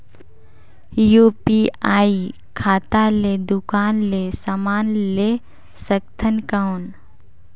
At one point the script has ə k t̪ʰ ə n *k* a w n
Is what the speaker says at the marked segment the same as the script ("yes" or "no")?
yes